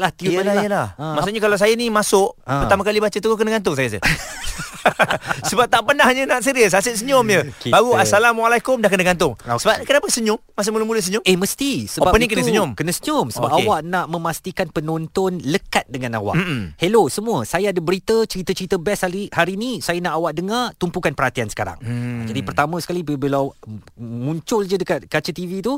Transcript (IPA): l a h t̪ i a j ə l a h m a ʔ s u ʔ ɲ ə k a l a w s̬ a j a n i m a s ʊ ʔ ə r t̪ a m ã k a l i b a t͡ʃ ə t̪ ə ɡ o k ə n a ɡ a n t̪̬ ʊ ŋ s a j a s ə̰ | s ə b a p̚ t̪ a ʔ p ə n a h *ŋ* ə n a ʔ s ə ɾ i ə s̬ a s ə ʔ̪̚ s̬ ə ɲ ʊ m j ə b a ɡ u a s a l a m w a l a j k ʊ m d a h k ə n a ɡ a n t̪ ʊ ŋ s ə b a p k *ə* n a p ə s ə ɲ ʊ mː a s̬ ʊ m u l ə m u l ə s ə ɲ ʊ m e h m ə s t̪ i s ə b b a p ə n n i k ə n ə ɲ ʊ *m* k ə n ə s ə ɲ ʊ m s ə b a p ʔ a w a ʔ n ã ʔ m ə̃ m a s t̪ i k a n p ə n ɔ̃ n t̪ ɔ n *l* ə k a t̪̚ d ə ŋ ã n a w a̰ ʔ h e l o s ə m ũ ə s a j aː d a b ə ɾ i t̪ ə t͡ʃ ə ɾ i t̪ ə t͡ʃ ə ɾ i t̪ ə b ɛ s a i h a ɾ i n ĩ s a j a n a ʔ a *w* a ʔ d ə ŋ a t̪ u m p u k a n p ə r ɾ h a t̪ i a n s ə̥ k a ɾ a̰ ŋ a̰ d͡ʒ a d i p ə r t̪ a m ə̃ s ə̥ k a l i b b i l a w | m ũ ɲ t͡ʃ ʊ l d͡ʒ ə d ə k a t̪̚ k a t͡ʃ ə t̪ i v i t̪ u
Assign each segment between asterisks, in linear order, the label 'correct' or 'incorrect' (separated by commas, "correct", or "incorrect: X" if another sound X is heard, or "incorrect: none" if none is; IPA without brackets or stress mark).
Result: incorrect: ɲ, correct, correct, correct, correct